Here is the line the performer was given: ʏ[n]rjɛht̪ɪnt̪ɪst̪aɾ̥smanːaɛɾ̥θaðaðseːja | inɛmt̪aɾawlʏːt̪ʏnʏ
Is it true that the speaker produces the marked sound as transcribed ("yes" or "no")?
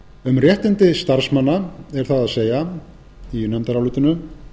no